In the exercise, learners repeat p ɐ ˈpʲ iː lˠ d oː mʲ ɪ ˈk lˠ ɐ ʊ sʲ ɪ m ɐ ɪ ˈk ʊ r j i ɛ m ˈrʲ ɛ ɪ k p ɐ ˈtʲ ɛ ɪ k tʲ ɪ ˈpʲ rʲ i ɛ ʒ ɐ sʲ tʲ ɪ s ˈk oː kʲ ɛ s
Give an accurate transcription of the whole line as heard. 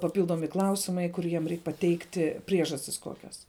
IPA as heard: p ɐ ˈpʲ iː lˠ d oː mʲ ɪ ˈk lˠ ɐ ʊ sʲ ɪ m ɐ ɪ ˈk ʊ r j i ɛ m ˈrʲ ɛ ɪ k p ɐ ˈtʲ ɛ ɪ k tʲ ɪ ˈpʲ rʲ i ɛ ʒ ɐ sʲ tʲ ɪ s ˈk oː kʲ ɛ s